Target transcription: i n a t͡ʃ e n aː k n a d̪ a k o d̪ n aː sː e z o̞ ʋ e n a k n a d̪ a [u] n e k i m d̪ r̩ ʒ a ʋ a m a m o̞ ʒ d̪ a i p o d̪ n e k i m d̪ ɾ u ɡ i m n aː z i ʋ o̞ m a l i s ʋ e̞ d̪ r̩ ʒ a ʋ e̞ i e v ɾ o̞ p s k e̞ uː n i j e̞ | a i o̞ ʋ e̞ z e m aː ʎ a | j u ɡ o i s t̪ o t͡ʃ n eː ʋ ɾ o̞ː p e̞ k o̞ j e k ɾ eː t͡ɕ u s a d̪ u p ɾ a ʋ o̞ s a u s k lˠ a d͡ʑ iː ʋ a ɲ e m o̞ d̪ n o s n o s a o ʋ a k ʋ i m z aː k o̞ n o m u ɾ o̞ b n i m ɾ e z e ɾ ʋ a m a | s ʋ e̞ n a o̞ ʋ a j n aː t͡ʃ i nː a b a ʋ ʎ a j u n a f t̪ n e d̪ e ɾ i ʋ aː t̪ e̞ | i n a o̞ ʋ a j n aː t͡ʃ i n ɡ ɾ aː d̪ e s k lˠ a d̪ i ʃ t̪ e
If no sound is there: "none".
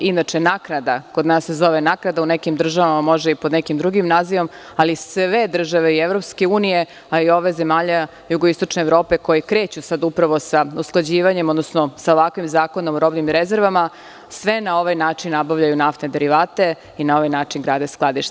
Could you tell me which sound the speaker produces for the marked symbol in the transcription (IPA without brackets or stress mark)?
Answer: u